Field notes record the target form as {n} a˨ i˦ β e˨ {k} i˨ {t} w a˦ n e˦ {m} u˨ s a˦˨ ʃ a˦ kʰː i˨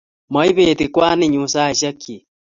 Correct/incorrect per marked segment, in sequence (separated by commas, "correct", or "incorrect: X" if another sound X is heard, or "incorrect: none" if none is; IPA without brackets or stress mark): incorrect: m, incorrect: t, incorrect: k, incorrect: ɲ